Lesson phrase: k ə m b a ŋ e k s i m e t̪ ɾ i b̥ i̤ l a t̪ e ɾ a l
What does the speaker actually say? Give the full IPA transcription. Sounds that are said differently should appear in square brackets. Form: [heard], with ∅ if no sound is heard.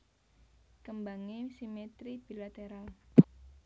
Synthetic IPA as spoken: k ə m b a ŋ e [∅] s i m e t̪ ɾ i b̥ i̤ l a t̪ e ɾ a l